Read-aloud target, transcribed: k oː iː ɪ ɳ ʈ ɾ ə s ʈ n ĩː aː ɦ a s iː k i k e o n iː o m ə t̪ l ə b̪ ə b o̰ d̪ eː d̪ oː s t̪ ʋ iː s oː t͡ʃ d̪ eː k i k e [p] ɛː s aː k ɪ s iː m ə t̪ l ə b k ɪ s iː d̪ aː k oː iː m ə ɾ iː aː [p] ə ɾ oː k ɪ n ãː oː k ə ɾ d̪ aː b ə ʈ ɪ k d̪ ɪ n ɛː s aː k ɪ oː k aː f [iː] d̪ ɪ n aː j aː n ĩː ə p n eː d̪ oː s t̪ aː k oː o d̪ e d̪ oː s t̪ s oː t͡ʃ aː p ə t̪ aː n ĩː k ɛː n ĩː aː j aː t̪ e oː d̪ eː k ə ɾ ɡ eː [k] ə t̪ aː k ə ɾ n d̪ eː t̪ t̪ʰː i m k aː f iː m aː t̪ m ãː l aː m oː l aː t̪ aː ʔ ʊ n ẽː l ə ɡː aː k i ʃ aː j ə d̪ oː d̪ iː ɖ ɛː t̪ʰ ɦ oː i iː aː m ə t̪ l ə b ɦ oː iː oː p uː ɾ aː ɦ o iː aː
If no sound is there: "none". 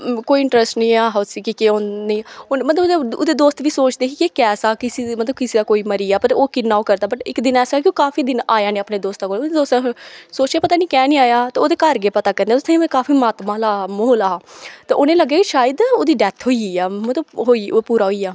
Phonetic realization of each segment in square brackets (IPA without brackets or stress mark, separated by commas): k, p, iː, p